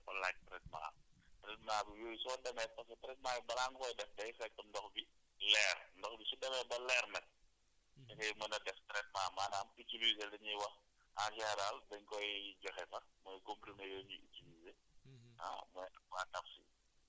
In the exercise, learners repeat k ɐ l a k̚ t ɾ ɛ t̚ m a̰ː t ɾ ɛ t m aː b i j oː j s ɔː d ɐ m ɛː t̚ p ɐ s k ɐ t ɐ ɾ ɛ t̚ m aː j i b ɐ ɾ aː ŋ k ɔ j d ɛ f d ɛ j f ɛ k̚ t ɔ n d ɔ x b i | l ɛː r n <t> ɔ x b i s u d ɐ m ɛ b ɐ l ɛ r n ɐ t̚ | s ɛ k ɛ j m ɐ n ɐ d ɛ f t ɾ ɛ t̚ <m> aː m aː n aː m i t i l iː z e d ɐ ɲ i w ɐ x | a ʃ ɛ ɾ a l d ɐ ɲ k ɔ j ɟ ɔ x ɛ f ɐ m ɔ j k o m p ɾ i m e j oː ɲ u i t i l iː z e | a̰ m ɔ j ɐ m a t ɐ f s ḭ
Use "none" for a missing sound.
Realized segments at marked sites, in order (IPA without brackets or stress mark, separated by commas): d, m